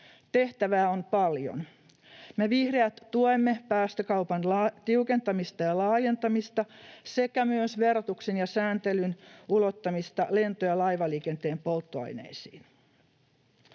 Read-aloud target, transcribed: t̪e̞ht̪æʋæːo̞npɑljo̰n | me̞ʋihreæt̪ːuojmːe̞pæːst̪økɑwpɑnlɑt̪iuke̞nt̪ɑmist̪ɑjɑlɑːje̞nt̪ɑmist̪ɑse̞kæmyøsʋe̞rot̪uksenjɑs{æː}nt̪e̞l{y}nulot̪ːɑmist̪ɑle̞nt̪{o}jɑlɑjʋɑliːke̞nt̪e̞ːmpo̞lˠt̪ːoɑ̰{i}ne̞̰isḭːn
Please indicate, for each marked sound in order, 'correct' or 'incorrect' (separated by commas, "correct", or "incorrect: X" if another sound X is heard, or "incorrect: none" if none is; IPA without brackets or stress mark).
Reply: correct, correct, correct, incorrect: j